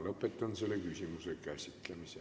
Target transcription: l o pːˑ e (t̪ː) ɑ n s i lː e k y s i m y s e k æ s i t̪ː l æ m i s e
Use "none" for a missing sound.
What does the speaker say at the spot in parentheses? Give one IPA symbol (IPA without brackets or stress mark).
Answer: t̪ː